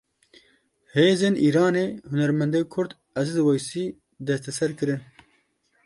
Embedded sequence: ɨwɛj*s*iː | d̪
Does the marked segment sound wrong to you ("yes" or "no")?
no